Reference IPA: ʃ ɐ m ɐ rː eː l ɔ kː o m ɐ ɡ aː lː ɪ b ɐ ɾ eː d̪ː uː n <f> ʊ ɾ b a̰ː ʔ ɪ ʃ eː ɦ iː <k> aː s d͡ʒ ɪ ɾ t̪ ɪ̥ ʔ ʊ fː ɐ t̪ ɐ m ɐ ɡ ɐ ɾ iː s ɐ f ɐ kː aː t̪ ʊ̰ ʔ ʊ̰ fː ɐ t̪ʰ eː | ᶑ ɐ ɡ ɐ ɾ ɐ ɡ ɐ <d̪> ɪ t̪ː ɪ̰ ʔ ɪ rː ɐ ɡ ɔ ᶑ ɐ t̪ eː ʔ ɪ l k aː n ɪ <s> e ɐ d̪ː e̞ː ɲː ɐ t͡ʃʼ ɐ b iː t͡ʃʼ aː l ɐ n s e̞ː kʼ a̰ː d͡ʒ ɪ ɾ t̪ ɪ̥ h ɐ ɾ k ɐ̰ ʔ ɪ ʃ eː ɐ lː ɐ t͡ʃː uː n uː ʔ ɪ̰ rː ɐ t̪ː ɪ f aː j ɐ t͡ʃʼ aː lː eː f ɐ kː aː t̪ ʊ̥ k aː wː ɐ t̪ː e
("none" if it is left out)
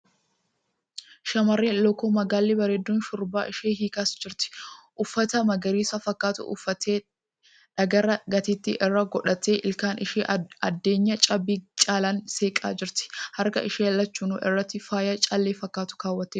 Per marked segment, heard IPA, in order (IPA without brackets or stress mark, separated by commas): ʃ, k, t̪, ʃ